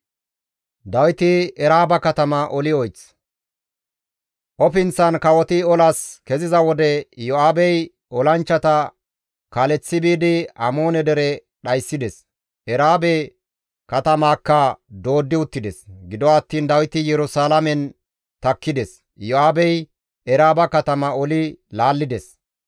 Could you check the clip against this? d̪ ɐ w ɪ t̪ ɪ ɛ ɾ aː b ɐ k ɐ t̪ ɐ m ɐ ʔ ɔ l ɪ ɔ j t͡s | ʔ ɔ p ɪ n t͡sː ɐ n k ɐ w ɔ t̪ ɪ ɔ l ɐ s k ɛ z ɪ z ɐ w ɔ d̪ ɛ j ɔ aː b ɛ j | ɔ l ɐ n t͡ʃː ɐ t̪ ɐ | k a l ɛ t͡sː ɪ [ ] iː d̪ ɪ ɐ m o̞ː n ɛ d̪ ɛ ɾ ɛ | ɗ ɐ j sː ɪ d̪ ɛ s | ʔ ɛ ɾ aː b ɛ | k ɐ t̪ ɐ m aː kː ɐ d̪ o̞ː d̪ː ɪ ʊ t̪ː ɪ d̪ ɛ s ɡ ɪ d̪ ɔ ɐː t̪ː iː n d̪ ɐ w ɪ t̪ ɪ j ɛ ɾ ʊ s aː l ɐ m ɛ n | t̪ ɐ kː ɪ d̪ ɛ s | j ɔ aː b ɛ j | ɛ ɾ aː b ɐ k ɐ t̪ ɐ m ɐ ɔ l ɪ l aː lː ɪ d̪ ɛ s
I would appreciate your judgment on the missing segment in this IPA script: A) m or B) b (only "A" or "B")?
B